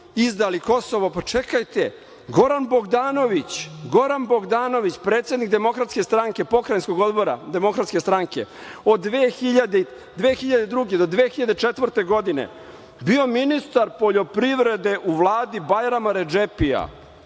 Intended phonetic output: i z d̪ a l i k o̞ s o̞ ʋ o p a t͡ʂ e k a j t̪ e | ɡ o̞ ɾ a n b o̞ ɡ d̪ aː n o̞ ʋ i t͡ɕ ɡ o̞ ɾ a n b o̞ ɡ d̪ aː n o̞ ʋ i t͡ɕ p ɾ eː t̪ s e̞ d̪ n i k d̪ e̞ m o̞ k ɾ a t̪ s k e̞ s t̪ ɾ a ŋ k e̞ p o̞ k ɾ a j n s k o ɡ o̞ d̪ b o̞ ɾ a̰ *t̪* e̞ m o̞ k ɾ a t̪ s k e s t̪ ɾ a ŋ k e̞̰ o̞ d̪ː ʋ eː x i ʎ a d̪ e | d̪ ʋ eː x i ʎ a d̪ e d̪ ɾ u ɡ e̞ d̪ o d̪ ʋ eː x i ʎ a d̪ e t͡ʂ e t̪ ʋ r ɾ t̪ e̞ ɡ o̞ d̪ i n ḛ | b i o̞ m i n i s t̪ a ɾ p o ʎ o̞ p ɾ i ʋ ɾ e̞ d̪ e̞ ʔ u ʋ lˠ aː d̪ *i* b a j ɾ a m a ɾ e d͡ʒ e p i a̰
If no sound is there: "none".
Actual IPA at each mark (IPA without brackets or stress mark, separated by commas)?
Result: d̪, i